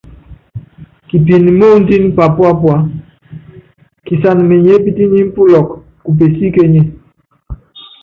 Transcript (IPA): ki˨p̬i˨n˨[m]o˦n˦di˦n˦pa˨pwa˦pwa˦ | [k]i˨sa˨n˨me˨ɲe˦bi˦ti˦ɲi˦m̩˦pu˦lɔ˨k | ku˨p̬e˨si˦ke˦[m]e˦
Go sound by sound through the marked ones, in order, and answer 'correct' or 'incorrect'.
correct, correct, incorrect: ɲ

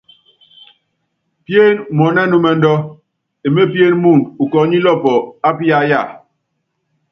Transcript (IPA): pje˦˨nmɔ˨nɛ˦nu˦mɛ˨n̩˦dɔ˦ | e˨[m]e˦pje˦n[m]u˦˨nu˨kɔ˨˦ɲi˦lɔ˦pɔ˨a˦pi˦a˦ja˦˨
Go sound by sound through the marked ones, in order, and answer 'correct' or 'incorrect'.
correct, correct

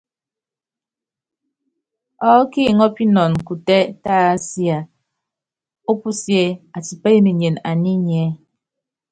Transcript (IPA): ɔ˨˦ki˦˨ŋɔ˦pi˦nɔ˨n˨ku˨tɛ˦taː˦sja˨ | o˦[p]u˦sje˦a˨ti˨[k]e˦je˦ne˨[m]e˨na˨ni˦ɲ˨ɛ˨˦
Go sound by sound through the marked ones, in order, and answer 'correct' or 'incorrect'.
correct, incorrect: p, incorrect: ɲ

